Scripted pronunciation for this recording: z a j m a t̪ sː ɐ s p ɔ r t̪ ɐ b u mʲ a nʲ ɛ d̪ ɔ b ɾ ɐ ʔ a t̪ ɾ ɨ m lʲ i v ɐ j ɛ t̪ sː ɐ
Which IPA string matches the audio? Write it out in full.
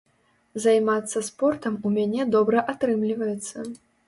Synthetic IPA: z a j m a t̪ sː ɐ s p ɔ r t̪ ɐ m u mʲ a nʲ ɛ d̪ ɔ b ɾ ɐ ʔ a t̪ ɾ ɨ m lʲ i v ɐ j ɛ t̪ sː ɐ